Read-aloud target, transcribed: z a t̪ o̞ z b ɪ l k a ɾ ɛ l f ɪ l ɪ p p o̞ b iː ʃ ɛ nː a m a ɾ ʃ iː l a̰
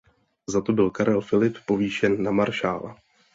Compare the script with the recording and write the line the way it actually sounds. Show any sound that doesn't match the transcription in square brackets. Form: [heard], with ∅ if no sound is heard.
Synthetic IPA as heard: z a t̪ o̞ [∅] b ɪ l k a ɾ ɛ l f ɪ l ɪ p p o̞ [v] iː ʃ ɛ nː a m a ɾ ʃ [aː] l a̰